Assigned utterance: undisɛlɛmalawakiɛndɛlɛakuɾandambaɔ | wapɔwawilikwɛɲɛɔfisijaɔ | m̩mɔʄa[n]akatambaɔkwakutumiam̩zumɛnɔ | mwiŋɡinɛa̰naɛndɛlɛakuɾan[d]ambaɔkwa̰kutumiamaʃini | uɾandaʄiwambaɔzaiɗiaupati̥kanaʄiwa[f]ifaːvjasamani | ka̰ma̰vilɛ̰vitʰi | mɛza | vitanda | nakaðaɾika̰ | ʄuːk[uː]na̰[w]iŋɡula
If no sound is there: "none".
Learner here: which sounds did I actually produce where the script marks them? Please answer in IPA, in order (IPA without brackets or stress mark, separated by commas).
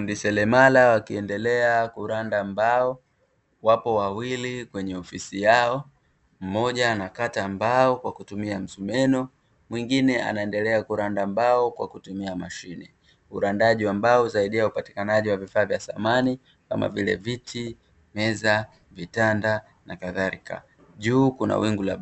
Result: n, d, v, u, w